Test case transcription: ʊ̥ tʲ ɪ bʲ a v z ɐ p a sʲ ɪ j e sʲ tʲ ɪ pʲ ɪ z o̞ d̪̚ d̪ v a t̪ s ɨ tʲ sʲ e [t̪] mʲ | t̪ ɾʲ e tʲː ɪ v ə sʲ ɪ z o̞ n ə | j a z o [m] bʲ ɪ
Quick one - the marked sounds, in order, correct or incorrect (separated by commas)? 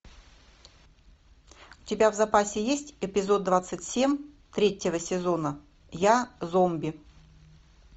incorrect, correct